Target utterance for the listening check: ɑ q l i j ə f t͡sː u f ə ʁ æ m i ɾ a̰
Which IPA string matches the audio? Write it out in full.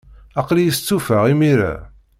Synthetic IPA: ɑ q l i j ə s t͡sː u f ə ʁ i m i ɾ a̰